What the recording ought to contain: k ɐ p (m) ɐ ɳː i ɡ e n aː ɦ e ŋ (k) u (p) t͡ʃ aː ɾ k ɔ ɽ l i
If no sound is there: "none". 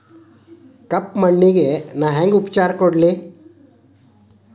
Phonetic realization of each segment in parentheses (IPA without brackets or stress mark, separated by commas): m, ɡ, p